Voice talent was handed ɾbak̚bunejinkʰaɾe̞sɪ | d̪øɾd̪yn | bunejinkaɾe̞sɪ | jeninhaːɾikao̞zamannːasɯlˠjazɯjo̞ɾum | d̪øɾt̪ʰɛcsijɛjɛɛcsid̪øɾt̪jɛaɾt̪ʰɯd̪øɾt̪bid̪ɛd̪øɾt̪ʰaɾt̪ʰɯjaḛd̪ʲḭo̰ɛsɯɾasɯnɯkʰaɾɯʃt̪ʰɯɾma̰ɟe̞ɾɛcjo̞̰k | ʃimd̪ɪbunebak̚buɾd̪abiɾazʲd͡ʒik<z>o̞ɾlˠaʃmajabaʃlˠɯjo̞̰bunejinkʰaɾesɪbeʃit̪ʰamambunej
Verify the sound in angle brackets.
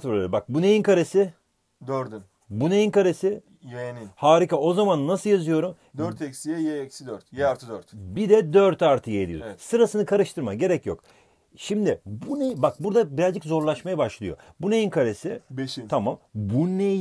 correct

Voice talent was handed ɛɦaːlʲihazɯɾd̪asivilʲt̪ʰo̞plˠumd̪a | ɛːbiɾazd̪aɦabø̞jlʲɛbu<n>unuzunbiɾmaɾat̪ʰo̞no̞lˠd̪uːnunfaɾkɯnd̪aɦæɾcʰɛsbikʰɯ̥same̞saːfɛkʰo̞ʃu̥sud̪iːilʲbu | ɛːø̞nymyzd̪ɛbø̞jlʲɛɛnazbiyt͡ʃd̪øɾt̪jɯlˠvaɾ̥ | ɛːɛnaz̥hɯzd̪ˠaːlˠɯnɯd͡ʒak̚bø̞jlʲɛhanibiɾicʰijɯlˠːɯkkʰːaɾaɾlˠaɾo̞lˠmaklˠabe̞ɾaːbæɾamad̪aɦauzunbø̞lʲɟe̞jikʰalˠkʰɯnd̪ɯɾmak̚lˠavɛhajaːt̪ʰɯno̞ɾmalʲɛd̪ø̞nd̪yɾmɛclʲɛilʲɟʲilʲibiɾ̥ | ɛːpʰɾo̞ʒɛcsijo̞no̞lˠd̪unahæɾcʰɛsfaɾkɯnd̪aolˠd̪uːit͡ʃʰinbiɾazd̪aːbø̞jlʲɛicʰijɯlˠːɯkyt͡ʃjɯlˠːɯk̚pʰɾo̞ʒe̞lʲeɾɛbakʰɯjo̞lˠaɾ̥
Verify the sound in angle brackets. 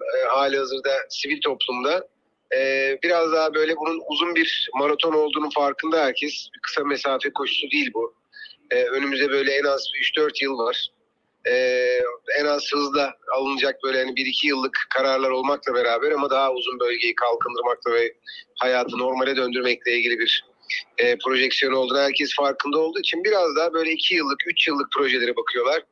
correct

